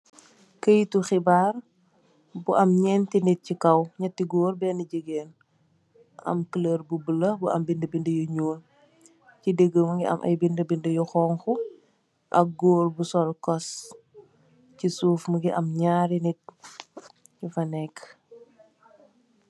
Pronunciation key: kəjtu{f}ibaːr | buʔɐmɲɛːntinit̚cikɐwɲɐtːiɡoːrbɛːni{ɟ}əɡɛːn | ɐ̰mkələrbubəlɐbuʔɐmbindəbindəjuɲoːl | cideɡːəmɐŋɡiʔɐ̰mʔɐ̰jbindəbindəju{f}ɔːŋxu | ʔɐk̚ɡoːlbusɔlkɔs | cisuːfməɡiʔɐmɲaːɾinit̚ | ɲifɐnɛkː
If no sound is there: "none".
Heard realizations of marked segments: x, ɟ, x

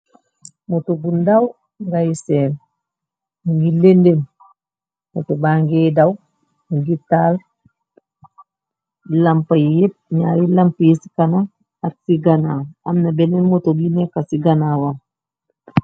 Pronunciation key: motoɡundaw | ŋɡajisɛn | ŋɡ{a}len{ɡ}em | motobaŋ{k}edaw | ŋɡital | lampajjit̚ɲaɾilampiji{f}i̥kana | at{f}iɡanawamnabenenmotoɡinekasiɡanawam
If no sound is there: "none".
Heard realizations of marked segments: i, d, ɡ, s, s

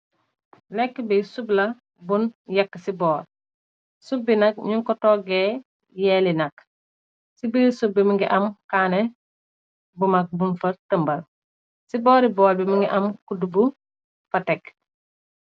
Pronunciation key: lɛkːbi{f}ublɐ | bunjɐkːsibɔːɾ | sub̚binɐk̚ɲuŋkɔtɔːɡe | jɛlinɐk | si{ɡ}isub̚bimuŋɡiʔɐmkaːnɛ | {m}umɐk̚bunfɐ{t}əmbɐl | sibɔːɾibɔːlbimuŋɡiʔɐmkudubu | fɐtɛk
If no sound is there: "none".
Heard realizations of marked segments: s, b, b, t

